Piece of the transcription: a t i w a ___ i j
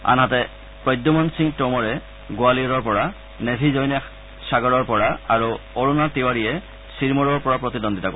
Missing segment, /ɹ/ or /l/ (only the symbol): ɹ